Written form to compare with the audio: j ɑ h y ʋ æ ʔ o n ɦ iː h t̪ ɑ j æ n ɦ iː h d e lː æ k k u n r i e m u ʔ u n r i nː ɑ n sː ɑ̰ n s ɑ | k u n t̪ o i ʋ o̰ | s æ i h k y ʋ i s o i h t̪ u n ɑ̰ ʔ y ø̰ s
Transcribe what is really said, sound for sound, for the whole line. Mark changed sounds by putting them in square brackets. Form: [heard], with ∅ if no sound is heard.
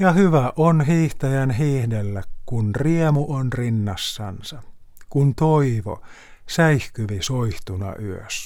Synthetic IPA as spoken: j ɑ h y ʋ æ ʔ o n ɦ iː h t̪ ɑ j æ n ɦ iː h d e lː æ k k u n r i e m u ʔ [o] n r i nː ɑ [∅] sː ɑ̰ n s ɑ | k u n t̪ o i ʋ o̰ | s æ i h k y ʋ i s o i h t̪ u n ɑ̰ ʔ y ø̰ s